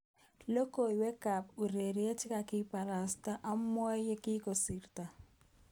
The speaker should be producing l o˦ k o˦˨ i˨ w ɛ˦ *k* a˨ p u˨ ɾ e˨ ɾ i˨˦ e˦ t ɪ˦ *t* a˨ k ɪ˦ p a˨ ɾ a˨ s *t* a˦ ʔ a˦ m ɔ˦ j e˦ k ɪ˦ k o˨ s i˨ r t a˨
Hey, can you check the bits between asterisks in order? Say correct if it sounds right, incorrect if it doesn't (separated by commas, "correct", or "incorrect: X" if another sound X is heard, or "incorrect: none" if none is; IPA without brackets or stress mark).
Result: correct, incorrect: k, correct